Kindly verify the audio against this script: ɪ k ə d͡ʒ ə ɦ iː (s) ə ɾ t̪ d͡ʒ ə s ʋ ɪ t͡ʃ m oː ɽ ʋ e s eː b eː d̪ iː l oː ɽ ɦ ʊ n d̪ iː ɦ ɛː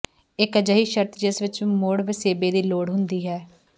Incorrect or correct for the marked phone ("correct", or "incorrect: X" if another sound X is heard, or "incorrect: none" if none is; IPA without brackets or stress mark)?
incorrect: ʃ